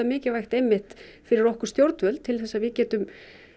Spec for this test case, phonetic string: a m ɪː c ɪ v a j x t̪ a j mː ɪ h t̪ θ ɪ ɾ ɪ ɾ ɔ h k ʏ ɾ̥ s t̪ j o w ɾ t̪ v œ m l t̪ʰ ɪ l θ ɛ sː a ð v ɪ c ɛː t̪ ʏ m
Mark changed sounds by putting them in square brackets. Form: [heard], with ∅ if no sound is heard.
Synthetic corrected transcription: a m ɪː c ɪ v a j x t̪ [ɛ] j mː ɪ h t̪ [f] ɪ ɾ ɪ ɾ ɔ h k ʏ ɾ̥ s t̪ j o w ɾ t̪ v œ [∅] l t̪ʰ ɪ l θ ɛ sː a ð v ɪ c ɛː t̪ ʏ m

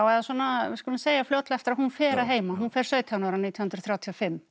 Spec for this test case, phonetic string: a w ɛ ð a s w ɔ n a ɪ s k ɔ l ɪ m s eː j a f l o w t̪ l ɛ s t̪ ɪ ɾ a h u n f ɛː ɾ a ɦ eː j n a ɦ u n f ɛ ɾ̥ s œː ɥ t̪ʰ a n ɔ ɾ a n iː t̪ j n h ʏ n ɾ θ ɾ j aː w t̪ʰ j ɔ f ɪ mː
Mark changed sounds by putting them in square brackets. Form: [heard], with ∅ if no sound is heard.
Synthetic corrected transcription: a w ɛ ð a s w ɔ n a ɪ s k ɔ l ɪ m s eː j a f l o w t̪ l ɛ [f] t̪ ɪ ɾ a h u n f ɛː ɾ a ɦ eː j [m] a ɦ u n f ɛ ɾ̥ s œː ɥ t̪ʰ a n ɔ ɾ a n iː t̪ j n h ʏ n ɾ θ ɾ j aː w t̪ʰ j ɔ f ɪ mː

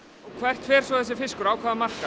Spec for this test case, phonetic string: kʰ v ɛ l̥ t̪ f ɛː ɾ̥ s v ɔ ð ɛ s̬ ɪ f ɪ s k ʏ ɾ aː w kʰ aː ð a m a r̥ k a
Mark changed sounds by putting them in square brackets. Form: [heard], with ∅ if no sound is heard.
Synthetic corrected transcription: kʰ v ɛ [r̥] t̪ f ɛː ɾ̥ s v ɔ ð ɛ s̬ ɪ f ɪ s k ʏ ɾ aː w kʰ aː ð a m a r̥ k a

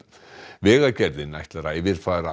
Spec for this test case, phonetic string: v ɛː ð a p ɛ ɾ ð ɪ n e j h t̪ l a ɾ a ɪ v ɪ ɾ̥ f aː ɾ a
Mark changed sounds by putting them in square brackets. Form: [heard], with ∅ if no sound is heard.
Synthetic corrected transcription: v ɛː [ɣ] a [c] ɛ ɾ ð ɪ n [a] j h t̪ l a ɾ a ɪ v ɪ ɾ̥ f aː ɾ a

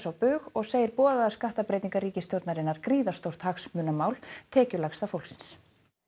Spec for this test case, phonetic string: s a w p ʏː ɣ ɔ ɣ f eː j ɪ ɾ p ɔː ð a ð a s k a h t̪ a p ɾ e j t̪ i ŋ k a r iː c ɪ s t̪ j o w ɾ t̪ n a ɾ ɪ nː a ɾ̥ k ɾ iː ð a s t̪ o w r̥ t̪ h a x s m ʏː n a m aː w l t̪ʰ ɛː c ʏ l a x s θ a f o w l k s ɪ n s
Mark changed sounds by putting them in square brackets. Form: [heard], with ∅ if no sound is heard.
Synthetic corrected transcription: s a w p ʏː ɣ ɔ ɣ [s] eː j ɪ ɾ p ɔː ð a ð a s k a h t̪ a p ɾ e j t̪ i ŋ k a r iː c ɪ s t̪ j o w ɾ t̪ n a ɾ ɪ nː a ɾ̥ k ɾ iː ð a s t̪ o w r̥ t̪ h a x s m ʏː n a m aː w l t̪ʰ ɛː c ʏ l a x s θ a f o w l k s ɪ n s

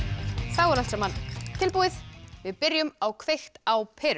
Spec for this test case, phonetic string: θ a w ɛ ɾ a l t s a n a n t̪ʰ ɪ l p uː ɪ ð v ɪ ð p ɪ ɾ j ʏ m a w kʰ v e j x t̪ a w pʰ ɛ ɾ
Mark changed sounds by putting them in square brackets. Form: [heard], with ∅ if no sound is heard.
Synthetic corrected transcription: θ a w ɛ ɾ a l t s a [m] a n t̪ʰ ɪ l p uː ɪ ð v ɪ ð p ɪ ɾ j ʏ m a w kʰ v e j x t̪ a w pʰ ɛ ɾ

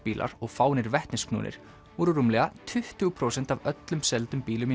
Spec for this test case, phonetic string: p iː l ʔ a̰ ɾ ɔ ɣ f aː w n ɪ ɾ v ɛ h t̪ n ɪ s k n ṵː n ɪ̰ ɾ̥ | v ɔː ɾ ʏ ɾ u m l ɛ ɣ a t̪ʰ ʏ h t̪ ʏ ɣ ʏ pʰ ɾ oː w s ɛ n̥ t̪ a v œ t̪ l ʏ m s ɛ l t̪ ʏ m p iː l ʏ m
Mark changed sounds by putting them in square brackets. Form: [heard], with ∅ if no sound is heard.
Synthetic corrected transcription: p iː l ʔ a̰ ɾ ɔ ɣ f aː w n ɪ ɾ v ɛ h t̪ n ɪ s k n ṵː n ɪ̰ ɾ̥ | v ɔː ɾ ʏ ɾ u m l ɛ ɣ a t̪ʰ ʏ h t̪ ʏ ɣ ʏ pʰ ɾ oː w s ɛ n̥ t̪ a v œ t̪ l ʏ m s ɛ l t̪ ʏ m p iː l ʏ m

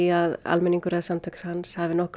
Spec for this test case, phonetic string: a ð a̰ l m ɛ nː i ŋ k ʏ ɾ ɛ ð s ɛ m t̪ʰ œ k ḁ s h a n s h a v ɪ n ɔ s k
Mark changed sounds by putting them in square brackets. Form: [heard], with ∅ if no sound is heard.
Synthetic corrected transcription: a ð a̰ l m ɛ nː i ŋ k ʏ ɾ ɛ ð s [a] m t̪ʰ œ k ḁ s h a n s h a v ɪ n ɔ [h] k

